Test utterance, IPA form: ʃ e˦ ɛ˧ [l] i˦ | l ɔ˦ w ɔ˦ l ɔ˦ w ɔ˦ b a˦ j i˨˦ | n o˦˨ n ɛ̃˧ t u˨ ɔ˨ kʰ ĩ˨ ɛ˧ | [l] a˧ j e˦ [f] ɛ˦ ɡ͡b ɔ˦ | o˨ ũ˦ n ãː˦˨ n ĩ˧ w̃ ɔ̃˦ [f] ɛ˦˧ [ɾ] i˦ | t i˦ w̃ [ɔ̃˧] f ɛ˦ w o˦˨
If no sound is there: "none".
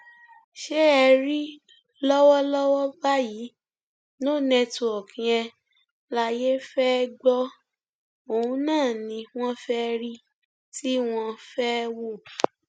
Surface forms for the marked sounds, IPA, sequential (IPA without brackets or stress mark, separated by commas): ɾ, l, f, f, ɾ, ɔ̃˧